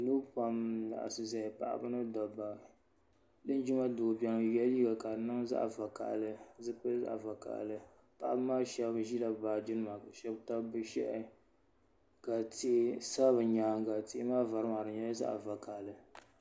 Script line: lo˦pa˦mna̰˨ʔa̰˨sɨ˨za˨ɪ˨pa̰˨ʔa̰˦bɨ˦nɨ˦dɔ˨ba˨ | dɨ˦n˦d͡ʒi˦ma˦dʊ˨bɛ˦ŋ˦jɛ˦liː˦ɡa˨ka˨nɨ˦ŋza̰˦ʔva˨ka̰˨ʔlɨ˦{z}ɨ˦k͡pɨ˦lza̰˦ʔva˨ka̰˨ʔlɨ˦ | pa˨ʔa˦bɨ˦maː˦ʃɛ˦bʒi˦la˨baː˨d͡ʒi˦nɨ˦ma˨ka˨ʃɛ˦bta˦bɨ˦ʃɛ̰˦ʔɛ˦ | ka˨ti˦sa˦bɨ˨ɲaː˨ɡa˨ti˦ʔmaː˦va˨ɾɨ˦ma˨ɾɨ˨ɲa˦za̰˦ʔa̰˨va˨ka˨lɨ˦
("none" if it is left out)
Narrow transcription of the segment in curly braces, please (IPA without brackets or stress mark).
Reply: z